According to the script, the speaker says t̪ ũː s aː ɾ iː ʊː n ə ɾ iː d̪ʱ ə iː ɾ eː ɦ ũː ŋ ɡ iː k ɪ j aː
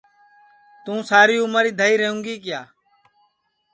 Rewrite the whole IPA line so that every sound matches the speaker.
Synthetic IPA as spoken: t̪ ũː s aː ɾ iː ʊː m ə ɾ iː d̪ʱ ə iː ɾ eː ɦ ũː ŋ ɡ iː k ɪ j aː